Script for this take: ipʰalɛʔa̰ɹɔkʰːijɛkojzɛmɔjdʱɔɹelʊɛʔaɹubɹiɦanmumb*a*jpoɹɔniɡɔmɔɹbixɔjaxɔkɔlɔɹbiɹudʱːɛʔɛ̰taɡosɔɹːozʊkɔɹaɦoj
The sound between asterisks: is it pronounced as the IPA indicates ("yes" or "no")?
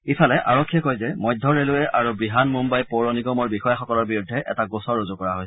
yes